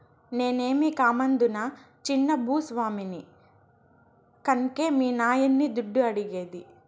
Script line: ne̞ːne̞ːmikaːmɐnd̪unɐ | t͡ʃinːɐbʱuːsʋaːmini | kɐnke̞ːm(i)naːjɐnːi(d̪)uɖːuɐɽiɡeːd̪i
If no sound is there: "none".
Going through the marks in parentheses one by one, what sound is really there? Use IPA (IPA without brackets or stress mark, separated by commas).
iː, d̪